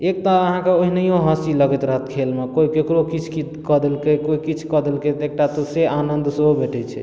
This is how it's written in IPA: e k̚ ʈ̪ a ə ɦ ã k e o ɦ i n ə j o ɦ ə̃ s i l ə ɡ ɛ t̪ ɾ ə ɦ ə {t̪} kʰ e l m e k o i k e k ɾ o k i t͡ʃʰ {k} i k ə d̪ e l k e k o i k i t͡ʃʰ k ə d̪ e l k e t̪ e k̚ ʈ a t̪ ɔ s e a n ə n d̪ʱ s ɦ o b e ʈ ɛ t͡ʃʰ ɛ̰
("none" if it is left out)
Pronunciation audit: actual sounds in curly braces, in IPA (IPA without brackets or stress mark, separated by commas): t̪, k